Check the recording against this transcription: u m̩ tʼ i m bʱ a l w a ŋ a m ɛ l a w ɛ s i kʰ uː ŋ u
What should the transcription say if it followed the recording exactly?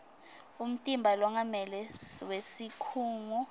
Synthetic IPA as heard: u m̩ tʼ i m bʱ a l w a ŋ a m ɛ l ɛ w e s i kʰ uː ŋ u